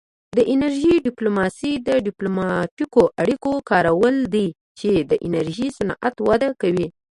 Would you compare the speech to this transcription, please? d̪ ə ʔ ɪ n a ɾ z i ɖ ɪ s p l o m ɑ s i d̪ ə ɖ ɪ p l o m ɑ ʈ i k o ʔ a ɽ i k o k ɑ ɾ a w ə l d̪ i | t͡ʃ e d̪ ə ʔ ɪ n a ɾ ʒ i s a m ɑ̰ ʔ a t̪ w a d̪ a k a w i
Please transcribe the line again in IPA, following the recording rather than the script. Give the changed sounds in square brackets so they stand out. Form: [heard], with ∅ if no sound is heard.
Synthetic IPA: d̪ ə ʔ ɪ n a ɾ [ʒ] i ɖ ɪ [∅] p l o m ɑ s i d̪ ə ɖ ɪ p l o m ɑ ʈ i k o ʔ a ɽ i k o k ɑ ɾ a w ə l d̪ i | t͡ʃ e d̪ ə ʔ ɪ n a ɾ ʒ i s a [n] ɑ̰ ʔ a t̪ w a d̪ a k a w i